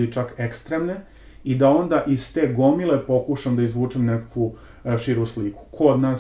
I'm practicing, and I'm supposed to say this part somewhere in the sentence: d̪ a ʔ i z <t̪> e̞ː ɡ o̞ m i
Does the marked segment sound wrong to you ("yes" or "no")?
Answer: no